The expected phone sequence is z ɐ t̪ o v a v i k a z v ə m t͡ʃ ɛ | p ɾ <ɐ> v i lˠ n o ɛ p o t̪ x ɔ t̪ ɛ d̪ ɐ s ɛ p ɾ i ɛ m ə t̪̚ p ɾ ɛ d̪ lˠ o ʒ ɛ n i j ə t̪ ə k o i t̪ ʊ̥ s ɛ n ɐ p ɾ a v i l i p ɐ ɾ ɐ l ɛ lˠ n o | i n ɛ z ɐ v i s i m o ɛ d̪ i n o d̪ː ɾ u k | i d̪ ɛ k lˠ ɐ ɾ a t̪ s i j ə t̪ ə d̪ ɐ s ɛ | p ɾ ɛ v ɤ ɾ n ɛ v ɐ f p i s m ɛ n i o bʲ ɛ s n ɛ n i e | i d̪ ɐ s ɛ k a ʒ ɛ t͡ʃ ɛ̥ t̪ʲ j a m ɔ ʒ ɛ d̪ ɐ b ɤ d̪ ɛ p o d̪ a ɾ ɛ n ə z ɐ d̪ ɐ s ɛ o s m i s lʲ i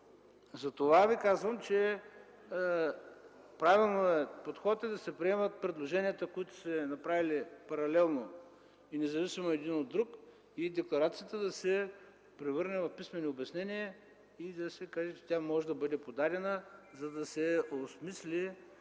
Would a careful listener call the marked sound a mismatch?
yes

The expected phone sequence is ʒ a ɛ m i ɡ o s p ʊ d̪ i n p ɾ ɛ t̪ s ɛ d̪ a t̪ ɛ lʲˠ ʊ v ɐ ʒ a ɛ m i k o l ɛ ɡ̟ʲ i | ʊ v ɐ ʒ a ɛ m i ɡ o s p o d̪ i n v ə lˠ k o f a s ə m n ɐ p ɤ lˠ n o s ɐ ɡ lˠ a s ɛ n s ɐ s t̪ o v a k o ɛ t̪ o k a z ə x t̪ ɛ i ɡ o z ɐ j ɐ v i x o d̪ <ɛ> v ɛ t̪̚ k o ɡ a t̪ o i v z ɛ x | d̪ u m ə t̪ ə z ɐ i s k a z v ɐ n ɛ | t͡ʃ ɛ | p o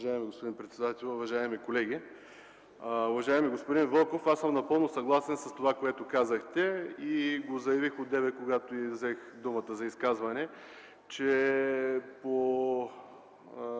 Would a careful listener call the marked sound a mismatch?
no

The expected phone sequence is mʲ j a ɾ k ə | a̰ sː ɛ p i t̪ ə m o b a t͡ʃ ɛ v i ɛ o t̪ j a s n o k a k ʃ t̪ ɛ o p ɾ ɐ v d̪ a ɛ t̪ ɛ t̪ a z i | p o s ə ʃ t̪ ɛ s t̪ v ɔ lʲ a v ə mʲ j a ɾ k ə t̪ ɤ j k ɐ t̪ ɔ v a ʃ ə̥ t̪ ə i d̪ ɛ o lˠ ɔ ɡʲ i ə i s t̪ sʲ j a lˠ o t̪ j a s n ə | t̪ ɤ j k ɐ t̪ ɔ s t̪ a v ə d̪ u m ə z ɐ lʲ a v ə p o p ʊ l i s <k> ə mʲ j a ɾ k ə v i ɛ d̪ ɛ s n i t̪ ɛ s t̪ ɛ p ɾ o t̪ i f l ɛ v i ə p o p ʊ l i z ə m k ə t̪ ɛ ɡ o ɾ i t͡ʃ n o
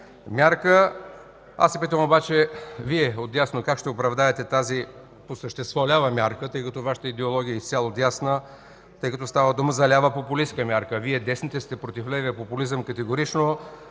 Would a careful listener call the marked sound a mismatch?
no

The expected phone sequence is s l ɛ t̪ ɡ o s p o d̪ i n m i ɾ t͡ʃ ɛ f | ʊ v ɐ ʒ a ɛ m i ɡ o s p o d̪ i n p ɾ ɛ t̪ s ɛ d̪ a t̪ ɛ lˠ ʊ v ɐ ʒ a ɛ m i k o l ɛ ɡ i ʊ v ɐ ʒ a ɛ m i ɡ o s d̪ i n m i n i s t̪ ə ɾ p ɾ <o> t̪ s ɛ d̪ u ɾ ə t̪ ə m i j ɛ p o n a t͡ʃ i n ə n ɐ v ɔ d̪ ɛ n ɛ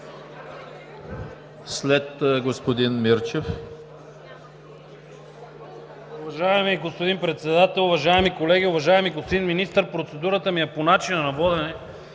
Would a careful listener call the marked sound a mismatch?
no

